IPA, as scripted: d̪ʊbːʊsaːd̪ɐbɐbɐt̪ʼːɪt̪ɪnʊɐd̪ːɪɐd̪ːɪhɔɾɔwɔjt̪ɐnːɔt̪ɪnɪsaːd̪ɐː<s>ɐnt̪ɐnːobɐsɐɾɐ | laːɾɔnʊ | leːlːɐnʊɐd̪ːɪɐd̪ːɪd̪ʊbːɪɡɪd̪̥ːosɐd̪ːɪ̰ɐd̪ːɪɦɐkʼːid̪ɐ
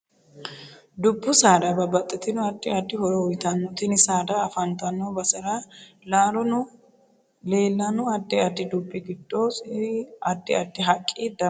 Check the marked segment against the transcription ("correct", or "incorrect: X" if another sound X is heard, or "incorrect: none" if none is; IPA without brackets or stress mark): incorrect: f